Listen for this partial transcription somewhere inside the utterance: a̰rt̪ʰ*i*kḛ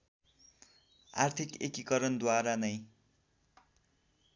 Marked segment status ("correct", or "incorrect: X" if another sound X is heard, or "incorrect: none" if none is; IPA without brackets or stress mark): correct